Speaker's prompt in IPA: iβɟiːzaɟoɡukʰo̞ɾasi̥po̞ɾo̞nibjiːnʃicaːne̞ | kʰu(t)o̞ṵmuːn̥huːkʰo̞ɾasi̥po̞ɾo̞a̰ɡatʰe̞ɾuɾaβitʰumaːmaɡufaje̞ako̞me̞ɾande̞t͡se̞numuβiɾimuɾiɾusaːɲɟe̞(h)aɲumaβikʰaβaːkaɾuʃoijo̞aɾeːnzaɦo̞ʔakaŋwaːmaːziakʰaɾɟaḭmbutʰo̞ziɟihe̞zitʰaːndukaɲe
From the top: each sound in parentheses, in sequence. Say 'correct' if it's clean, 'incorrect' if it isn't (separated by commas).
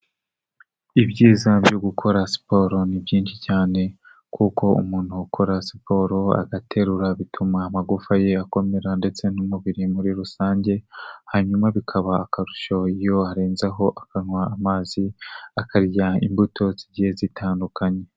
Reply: incorrect, correct